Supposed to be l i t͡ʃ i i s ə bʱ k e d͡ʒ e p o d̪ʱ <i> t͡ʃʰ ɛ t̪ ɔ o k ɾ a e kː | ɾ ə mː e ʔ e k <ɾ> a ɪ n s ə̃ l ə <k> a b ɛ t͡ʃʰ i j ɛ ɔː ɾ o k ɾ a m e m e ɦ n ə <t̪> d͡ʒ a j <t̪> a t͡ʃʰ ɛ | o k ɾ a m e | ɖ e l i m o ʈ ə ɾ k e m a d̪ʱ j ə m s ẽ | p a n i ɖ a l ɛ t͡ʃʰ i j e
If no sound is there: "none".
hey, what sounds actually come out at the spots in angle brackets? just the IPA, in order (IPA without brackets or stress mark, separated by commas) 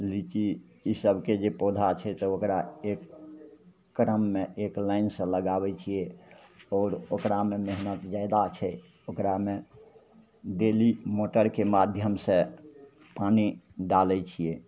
a, l, ɡ, t̪, d̪